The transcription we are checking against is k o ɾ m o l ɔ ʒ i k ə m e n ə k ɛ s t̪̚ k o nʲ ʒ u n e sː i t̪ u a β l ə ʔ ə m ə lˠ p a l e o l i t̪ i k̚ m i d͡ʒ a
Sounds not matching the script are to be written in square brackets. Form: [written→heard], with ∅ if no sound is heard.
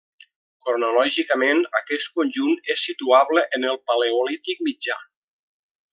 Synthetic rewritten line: k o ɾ [m→n] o l ɔ ʒ i k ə m e n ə k ɛ s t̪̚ k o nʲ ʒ u n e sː i t̪ u a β l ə ʔ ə [m→n] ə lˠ p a l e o l i t̪ i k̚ m i d͡ʒ a